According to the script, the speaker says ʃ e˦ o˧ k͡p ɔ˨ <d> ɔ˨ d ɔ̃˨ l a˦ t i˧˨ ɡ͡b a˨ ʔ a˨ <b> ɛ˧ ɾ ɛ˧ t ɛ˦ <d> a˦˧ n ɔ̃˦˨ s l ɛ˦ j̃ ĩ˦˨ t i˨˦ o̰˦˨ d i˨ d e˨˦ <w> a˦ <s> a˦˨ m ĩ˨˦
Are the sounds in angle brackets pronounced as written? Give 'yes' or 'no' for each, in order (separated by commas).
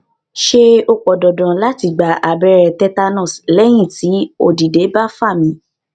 yes, yes, no, no, no